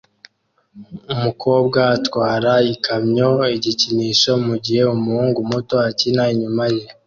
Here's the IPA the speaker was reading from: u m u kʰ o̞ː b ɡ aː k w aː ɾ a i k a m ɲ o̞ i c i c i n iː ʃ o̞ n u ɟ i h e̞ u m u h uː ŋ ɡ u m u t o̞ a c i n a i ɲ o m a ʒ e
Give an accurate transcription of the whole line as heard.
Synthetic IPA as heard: u m u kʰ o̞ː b ɡ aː t w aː ɾ a i k a m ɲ o̞ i ɟ i c i n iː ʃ o̞ m u ɟ i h e̞ u m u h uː ŋ ɡ u m u t o̞ a c i n a i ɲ u m a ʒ e